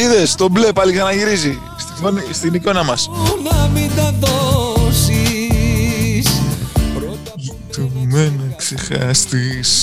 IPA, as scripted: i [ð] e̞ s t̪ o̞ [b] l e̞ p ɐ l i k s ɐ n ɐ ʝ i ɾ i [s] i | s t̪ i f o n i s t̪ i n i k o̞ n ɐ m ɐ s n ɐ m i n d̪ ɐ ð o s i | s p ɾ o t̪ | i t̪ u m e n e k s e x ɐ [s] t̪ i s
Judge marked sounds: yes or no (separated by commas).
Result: yes, yes, no, yes